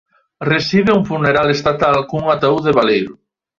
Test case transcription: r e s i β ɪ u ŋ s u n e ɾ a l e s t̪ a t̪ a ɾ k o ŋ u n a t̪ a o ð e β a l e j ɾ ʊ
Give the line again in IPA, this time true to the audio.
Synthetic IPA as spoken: r e s i β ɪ u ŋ f u n e ɾ a l e s t̪ a t̪ a l k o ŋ u ŋ a t̪ a u ð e β a l e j ɾ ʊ